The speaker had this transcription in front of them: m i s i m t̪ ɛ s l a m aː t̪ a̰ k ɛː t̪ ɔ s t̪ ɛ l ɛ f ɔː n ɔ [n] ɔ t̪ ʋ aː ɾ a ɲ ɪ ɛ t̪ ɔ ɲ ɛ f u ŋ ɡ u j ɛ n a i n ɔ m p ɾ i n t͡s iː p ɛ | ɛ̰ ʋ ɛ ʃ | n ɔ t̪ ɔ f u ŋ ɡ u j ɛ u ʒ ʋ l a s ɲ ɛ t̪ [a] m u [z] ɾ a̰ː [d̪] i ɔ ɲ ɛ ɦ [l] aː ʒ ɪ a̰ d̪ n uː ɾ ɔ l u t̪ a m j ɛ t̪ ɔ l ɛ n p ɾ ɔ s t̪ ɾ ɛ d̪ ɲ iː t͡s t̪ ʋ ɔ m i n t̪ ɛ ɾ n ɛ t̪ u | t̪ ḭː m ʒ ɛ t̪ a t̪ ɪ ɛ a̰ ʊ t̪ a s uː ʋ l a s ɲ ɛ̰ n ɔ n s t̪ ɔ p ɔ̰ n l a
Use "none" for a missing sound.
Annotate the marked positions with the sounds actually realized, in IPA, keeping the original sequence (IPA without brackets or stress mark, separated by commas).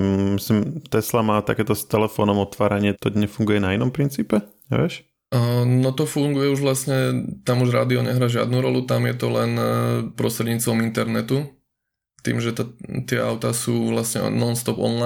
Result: m, a, ʒ, d̪, ɾ